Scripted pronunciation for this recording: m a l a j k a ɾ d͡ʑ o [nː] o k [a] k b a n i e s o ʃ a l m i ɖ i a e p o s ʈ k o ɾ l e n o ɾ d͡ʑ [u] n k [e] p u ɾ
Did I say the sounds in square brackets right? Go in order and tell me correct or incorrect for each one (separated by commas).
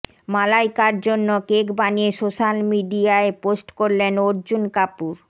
correct, incorrect, correct, incorrect